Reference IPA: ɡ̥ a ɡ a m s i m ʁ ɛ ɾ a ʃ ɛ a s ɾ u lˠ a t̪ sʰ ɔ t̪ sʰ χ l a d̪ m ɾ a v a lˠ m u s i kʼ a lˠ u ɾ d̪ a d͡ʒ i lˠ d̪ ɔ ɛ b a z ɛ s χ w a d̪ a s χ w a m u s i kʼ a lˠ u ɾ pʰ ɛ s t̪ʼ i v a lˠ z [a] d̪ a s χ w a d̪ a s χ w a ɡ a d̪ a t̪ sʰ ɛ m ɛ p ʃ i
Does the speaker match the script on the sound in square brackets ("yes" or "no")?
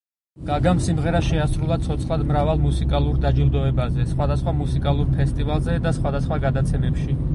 no